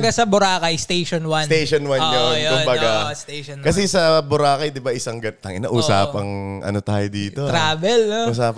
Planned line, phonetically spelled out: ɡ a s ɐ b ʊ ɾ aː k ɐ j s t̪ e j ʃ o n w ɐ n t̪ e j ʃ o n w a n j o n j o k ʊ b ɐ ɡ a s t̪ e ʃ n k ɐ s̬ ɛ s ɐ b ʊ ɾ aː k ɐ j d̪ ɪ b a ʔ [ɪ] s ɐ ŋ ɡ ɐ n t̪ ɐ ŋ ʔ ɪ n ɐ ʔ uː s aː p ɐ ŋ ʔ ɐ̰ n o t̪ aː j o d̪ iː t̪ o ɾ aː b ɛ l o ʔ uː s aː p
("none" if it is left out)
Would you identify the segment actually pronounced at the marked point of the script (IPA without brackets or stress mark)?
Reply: ɪ